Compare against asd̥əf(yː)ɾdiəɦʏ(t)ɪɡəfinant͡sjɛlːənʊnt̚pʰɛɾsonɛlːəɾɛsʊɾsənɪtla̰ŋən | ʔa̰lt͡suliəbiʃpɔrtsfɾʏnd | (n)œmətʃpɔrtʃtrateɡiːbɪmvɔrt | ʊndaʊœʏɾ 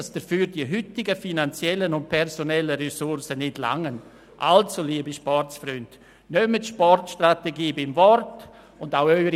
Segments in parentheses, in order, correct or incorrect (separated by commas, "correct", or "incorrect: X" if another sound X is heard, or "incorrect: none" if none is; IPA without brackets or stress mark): correct, correct, correct